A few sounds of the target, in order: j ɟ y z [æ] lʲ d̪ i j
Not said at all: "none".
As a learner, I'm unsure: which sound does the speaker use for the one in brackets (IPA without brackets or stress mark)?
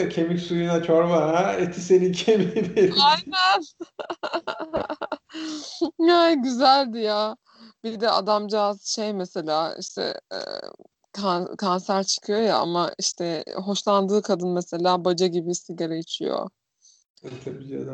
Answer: æ